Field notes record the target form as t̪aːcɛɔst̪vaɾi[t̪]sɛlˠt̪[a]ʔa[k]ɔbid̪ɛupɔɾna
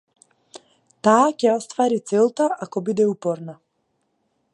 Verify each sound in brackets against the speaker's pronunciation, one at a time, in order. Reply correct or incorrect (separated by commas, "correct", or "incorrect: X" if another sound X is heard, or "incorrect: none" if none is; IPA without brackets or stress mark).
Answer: correct, correct, correct